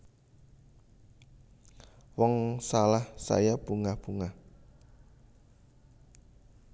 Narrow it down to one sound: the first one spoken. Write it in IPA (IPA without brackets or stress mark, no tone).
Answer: w